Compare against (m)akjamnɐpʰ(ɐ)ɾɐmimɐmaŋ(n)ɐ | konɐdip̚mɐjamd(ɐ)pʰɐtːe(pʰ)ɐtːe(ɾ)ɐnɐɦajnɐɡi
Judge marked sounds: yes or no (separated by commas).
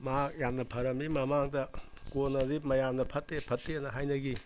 yes, yes, no, yes, yes, no